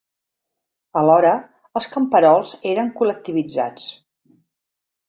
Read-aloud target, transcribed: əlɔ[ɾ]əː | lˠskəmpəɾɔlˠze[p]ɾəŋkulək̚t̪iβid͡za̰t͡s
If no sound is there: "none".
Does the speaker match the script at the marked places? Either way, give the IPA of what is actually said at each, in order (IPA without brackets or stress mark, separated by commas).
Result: ɾ, none